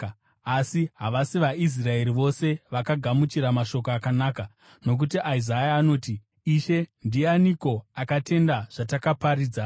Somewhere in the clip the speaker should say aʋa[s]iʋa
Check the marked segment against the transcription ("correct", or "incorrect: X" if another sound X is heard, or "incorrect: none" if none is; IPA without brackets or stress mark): correct